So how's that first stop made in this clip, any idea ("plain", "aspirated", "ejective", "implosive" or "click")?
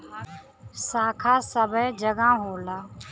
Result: aspirated